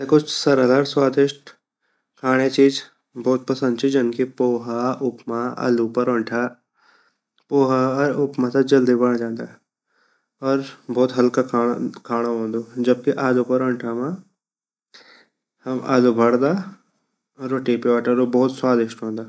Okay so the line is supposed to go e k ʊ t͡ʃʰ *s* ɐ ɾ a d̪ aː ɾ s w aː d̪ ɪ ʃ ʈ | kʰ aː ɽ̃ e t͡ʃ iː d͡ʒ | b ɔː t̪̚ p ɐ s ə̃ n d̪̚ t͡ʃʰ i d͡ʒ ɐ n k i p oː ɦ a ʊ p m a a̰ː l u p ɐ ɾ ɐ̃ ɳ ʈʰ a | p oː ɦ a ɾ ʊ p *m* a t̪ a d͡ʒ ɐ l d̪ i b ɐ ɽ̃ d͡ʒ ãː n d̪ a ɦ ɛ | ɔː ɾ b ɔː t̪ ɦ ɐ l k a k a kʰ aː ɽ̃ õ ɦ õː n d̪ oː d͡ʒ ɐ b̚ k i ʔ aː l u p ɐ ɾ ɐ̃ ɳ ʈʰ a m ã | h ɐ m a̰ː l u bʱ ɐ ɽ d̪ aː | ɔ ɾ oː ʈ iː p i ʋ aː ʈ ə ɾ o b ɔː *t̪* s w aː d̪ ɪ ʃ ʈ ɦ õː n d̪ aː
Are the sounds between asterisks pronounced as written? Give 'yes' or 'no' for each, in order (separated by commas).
yes, yes, yes